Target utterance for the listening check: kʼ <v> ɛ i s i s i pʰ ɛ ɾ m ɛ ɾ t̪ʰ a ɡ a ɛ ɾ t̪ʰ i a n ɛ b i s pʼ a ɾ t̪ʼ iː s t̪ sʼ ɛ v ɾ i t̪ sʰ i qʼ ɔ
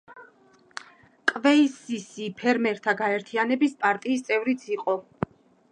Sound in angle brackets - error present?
no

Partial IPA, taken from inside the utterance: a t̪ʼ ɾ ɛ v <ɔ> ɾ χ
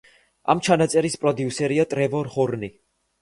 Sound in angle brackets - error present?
no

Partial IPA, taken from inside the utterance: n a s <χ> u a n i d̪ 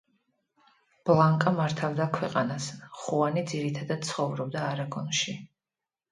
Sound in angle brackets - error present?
no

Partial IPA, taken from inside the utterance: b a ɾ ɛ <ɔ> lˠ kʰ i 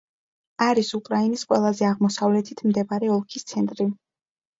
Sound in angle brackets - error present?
no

